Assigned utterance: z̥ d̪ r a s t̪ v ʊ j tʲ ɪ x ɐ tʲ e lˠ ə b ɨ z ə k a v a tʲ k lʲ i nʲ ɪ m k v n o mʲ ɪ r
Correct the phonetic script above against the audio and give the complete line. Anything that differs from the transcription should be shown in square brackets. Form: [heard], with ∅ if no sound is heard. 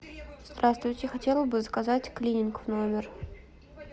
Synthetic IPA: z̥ d̪ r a s t̪ v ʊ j tʲ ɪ x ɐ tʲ e lˠ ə b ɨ z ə k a [z] a tʲ k lʲ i nʲ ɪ [n] k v n o mʲ ɪ r